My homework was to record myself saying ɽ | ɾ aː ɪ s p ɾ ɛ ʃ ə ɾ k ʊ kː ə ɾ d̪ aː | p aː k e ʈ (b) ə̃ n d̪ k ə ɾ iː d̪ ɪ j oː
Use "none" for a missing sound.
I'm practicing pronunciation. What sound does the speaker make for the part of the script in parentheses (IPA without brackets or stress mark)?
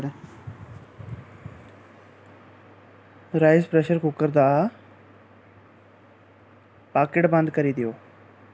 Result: b